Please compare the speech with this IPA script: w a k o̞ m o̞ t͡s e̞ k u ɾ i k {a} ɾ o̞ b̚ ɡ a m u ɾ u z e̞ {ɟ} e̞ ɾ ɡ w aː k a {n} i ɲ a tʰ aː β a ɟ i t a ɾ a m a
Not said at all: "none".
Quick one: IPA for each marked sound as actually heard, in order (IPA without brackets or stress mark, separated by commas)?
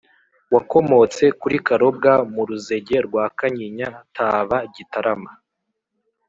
a, ɟ, ɲ